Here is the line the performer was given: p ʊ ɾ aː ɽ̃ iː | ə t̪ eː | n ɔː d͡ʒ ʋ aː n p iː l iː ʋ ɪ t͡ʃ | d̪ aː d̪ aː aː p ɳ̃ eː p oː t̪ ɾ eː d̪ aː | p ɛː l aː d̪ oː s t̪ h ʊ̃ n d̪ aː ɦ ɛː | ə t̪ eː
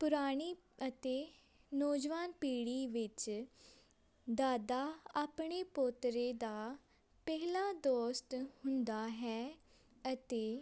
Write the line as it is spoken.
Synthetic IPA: p ʊ ɾ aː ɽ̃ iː | ə t̪ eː | n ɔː d͡ʒ ʋ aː n p iː ɽ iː ʋ ɪ t͡ʃ | d̪ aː d̪ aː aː p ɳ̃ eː p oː t̪ ɾ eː d̪ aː | p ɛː l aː d̪ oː s t̪ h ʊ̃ n d̪ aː ɦ ɛː | ə t̪ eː